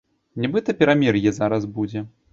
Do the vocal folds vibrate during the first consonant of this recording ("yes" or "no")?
yes